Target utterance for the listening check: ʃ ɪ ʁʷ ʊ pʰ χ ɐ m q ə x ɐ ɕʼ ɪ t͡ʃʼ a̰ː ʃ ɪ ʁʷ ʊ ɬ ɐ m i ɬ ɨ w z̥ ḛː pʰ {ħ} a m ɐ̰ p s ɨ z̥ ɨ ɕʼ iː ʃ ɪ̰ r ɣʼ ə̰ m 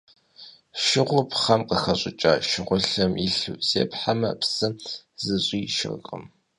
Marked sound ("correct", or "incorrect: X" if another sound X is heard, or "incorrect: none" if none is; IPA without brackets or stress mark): correct